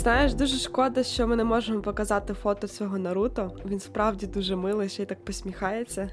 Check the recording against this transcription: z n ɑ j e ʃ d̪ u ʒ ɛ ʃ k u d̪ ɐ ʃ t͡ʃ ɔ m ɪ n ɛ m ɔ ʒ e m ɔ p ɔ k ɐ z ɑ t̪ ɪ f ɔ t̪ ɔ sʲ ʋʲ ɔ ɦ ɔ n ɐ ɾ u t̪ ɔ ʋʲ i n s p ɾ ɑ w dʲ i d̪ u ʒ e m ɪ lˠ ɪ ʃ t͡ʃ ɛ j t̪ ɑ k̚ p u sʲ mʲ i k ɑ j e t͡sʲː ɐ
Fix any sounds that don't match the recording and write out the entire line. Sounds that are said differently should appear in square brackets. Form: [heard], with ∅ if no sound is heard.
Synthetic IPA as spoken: z n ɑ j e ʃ d̪ u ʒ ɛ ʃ k [ɔ] d̪ ɐ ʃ t͡ʃ ɔ m ɪ n ɛ m ɔ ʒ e m ɔ p ɔ k ɐ z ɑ t̪ ɪ f ɔ t̪ ɔ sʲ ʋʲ ɔ ɦ ɔ n ɐ ɾ u t̪ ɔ ʋʲ i n s p ɾ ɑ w dʲ i d̪ u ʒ [ɛ] m ɪ lˠ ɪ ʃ t͡ʃ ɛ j t̪ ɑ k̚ p [ɔ] sʲ mʲ i [x] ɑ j e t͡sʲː ɐ